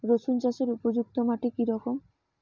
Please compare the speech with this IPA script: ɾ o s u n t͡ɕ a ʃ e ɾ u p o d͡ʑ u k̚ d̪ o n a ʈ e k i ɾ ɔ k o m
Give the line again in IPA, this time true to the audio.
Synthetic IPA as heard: ɾ o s u n t͡ɕ a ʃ e ɾ u p o d͡ʑ u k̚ t̪ o m a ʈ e k i ɾ ɔ k o m